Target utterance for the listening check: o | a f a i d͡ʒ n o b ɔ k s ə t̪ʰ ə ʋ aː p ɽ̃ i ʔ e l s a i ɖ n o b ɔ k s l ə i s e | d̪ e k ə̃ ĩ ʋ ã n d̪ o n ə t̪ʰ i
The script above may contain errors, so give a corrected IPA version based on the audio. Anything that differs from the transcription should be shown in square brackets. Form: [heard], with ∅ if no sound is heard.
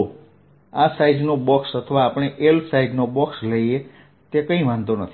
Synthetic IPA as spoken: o | a [s] a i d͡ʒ n o b ɔ k s ə t̪ʰ ə ʋ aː p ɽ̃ [e] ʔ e l s a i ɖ n o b ɔ k s l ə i [∅] e | [t̪] e k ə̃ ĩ ʋ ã n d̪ o n ə t̪ʰ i